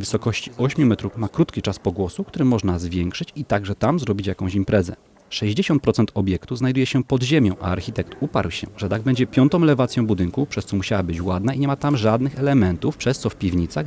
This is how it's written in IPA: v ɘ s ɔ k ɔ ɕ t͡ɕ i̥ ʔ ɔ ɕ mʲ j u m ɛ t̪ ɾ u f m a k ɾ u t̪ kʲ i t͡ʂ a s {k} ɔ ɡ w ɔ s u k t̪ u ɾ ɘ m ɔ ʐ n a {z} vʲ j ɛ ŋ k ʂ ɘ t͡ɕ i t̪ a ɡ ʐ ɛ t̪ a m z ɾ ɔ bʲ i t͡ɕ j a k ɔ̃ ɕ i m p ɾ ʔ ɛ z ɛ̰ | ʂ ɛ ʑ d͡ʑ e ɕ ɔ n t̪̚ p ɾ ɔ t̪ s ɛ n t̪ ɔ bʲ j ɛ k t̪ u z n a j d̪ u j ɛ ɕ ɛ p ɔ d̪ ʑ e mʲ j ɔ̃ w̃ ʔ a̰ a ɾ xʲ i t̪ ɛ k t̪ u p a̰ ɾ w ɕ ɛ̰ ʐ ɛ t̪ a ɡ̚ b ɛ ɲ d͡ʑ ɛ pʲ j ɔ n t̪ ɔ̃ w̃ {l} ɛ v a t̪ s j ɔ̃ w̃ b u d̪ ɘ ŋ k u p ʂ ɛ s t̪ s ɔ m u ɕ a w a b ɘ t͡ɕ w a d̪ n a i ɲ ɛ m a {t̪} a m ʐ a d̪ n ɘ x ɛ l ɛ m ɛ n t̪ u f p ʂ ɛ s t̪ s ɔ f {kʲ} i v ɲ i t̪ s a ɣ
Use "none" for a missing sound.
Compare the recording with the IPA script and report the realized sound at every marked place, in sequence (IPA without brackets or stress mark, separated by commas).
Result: p, z, l, t̪, pʲ